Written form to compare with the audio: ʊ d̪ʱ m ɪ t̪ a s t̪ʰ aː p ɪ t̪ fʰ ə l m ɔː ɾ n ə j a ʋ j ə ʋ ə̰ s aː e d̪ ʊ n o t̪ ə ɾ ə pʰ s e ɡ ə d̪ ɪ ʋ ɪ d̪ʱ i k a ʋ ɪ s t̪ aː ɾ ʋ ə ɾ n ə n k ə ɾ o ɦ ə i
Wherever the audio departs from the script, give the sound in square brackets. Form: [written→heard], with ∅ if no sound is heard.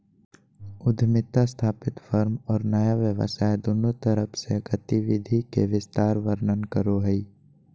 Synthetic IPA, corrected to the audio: ʊ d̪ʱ m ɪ t̪ a s t̪ʰ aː p ɪ t̪ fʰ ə [l→ɾ] m ɔː ɾ n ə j a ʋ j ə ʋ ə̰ s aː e d̪ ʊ n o t̪ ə ɾ ə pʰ s e ɡ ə [d̪→t̪] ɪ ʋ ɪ d̪ʱ i k [a→e] ʋ ɪ s t̪ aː ɾ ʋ ə ɾ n ə n k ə ɾ o ɦ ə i